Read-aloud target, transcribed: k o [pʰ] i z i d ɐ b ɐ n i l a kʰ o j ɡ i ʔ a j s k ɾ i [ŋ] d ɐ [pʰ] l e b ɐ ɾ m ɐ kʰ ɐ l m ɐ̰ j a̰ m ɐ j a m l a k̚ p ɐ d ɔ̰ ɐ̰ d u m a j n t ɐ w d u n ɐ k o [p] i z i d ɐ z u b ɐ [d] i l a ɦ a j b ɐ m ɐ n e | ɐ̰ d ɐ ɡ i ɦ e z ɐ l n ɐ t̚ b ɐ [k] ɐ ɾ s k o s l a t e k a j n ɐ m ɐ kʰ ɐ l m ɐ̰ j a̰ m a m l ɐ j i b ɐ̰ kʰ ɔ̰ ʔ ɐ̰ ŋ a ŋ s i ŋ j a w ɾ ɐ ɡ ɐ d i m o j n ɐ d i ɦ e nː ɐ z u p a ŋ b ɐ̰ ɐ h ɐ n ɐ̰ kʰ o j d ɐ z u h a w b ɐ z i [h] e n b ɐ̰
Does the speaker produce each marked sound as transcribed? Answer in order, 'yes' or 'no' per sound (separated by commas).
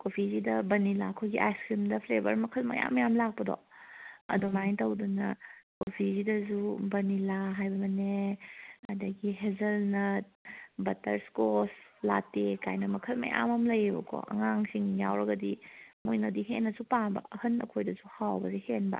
yes, no, yes, no, no, no, yes